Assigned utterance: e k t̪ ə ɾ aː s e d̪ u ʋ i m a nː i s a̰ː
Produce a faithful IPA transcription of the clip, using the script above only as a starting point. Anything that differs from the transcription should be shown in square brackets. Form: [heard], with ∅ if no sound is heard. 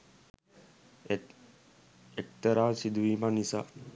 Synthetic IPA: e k t̪ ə ɾ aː s [i] d̪ u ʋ i m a [n] i s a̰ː

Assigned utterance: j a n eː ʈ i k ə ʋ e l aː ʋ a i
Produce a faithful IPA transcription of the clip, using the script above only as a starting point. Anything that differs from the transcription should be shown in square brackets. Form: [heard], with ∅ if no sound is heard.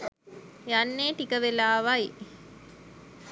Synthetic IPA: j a [nː] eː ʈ i k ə ʋ e l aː ʋ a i

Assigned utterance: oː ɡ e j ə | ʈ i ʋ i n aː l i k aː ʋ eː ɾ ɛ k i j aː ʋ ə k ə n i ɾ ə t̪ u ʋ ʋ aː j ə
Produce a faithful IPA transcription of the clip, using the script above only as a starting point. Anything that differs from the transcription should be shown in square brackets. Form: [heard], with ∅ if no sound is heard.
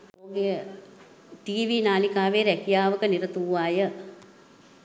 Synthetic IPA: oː ɡ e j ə | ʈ [iː] ʋ i n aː l i k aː ʋ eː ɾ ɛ k i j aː ʋ ə k ə n i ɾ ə t̪ u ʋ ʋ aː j ə

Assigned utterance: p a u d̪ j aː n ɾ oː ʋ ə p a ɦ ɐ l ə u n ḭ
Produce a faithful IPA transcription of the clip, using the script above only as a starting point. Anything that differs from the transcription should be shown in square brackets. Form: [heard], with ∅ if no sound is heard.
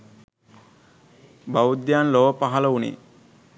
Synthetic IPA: [b] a u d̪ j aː n [l] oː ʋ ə p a ɦ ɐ l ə u n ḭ

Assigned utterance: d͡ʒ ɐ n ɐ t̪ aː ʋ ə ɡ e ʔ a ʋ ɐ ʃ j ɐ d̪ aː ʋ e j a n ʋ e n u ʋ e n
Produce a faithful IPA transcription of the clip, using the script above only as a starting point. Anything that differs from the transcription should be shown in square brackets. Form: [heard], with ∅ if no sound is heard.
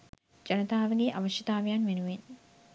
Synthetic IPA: d͡ʒ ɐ n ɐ t̪ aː ʋ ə ɡ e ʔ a ʋ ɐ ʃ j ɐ [t̪] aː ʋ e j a n ʋ e n u ʋ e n

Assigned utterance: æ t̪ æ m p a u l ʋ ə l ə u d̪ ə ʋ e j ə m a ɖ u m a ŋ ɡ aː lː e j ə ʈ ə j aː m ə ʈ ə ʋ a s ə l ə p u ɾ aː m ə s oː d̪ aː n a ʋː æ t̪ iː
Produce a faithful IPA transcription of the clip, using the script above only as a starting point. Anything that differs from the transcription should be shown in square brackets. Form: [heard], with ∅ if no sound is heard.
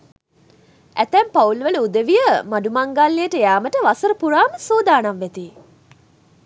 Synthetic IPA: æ t̪ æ m p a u l ʋ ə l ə u d̪ ə ʋ [i] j ə m a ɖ u m a ŋ ɡ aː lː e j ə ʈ ə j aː m ə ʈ ə ʋ a s ə [ɾ] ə p u ɾ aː m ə s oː d̪ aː n a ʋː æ t̪ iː

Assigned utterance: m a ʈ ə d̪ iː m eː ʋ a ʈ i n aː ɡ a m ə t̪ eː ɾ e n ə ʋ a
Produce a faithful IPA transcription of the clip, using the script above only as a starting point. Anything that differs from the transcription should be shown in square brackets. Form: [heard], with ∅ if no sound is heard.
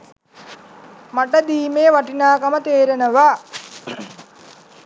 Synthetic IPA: m a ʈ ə d̪ iː m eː ʋ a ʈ i n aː [k] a m ə t̪ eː ɾ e n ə ʋ a

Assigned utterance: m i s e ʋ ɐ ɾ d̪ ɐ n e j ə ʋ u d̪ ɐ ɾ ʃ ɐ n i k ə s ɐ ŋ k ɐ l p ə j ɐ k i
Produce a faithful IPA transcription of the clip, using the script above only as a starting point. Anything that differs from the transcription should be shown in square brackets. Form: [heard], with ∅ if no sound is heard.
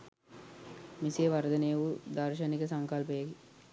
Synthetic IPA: m i s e ʋ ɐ ɾ d̪ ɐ n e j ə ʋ u d̪ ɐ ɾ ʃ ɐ n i k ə s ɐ ŋ k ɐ l p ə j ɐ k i

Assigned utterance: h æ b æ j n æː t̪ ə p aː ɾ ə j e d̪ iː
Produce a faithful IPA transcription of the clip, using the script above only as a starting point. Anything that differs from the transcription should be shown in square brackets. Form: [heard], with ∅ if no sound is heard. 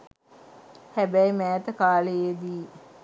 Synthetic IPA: h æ b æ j [m] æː t̪ ə [k] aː [l] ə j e d̪ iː

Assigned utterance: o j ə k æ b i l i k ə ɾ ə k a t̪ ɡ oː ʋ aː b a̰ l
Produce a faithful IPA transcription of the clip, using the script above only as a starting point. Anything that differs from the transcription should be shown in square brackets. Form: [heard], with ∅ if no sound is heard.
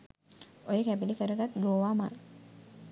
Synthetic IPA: o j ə k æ b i l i k ə ɾ ə [ɡ] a t̪ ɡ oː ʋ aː [m] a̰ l

